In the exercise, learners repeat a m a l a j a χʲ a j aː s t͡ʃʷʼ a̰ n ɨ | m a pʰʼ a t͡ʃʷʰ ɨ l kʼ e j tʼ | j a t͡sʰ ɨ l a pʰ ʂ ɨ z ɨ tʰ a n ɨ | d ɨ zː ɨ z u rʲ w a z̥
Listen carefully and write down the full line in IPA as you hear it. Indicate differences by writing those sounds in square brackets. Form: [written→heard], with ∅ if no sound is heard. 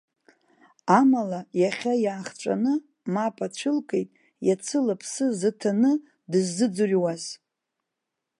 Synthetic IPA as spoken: a m a l a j a χʲ a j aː [s→χ] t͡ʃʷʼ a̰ n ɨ | m a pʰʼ a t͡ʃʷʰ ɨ l kʼ e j tʼ | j a t͡sʰ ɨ l a pʰ [ʂ→s] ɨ z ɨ tʰ a n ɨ | d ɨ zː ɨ [z→d͡z] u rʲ w a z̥